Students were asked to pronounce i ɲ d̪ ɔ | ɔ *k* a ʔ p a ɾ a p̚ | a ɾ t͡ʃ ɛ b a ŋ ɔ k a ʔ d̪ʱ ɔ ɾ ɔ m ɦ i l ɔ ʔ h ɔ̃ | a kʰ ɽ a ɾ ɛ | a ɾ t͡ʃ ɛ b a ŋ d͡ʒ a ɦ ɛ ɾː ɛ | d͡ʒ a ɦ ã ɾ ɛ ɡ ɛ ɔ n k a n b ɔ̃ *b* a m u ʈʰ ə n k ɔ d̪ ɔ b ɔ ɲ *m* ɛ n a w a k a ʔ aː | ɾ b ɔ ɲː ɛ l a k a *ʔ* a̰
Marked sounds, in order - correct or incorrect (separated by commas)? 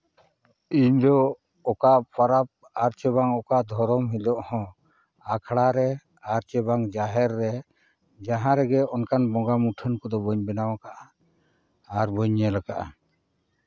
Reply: correct, incorrect, incorrect, correct